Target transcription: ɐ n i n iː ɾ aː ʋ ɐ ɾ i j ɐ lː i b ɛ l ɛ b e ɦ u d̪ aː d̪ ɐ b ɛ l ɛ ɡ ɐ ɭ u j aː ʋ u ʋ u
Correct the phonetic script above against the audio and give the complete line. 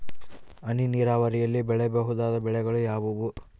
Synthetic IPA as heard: ɐ n i n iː ɾ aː ʋ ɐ ɾ i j ɐ lː i b ɛ ɭ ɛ b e ɦ u d̪ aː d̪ ɐ b ɛ ɭ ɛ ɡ ɐ ɭ u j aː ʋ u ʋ u